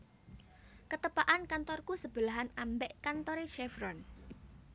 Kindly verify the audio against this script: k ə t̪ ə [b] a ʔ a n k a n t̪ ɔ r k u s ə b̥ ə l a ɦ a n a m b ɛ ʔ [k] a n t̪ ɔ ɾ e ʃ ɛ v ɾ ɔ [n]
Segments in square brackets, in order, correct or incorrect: incorrect, correct, correct

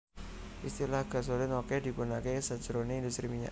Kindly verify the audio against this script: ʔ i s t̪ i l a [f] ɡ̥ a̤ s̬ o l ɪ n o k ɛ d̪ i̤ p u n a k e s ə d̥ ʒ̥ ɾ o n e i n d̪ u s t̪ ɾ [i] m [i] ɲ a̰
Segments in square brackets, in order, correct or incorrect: incorrect, correct, correct

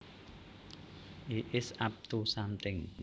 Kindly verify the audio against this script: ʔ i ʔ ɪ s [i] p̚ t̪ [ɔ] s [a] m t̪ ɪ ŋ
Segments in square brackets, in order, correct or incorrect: incorrect, incorrect, correct

